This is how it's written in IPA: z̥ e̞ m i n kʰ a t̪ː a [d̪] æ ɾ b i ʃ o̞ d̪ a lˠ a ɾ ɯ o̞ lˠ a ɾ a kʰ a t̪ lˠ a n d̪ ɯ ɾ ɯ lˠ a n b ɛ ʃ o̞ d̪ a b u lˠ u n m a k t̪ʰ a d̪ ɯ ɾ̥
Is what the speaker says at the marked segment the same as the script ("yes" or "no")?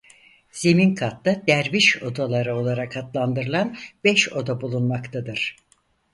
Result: yes